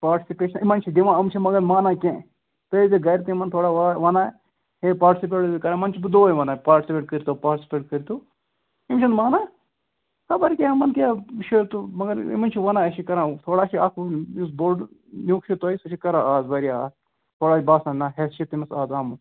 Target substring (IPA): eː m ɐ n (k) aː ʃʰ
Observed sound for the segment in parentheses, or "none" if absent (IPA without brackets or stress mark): k